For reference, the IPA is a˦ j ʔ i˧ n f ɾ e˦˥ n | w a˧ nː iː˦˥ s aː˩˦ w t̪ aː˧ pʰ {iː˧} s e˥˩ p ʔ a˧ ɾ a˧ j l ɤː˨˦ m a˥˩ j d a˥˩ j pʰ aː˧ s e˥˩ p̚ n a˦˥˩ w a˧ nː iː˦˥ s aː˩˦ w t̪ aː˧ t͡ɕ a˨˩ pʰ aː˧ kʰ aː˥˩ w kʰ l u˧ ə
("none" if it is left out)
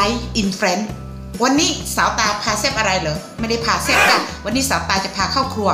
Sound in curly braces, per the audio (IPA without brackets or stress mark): aː˧